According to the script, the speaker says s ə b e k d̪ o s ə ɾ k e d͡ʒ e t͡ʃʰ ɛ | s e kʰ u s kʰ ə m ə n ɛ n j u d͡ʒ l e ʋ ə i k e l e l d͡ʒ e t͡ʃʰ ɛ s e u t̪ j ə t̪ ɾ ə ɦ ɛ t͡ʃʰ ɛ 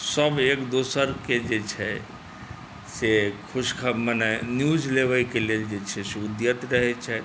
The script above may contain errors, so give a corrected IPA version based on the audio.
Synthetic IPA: s ə b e k d̪ o s ə ɾ k e d͡ʒ e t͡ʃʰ ɛ | s e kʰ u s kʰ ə m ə n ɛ n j u d͡ʒ l e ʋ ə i k e l e l d͡ʒ e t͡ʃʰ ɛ s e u d̪ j ə t̪ ɾ ə ɦ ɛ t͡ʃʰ ɛ